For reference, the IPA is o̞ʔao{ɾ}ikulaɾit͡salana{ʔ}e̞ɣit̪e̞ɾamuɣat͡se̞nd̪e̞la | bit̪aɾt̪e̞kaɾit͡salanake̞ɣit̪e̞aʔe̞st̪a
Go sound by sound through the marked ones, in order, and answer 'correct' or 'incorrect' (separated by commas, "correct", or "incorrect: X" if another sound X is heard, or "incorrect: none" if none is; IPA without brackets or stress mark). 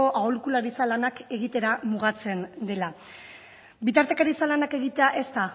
incorrect: l, incorrect: k